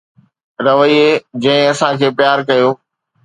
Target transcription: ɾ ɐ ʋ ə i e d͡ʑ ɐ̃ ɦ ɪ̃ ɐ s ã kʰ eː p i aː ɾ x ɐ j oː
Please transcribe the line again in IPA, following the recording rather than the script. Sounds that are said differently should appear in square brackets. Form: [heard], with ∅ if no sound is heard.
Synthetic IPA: ɾ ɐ ʋ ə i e d͡ʑ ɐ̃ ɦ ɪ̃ ɐ s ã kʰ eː p [j] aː ɾ [k] ɐ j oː